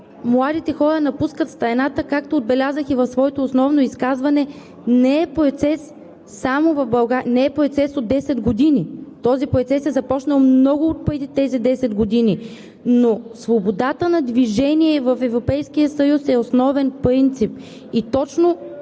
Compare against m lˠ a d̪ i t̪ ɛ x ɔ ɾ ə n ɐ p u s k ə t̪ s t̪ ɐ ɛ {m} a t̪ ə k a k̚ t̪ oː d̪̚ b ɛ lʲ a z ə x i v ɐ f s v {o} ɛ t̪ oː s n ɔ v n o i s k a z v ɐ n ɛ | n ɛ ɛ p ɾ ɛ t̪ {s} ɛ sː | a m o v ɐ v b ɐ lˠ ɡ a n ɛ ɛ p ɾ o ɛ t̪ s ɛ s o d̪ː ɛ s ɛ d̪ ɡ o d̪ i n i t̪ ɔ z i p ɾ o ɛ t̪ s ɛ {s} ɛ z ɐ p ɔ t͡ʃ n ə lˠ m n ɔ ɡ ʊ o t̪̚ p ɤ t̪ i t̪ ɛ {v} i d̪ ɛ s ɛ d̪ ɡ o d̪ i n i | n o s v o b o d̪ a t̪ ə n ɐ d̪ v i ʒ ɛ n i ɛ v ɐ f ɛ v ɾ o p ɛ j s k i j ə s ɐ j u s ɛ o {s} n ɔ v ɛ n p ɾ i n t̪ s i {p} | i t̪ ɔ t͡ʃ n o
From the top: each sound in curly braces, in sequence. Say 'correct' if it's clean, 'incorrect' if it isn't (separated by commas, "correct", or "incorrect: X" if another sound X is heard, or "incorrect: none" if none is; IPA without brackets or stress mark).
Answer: incorrect: n, incorrect: ɔ, correct, correct, incorrect: z, correct, correct